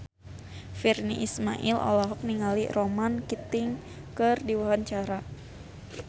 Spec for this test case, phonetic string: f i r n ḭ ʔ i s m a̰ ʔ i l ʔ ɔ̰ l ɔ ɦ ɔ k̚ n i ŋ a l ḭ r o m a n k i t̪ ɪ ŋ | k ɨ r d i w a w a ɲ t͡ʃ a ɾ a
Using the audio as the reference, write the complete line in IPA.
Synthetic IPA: f i r n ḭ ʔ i s m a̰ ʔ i l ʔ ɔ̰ l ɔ ɦ ɔ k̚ n i ŋ a l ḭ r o m a n k i t̪ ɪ ŋ | k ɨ r d i w a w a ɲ t͡ʃ a ɾ a